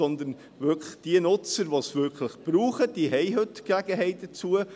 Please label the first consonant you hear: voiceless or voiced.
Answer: voiced